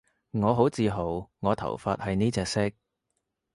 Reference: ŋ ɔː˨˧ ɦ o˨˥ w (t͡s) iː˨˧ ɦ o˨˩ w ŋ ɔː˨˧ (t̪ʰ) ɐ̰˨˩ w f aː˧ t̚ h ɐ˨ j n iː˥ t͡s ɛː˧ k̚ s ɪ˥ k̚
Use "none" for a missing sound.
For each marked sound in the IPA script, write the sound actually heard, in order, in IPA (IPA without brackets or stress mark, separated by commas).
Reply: t͡s, t̪ʰ